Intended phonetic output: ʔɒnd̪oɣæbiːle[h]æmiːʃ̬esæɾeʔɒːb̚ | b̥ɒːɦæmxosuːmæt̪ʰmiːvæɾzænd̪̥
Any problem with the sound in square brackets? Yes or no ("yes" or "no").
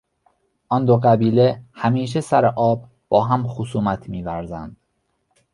no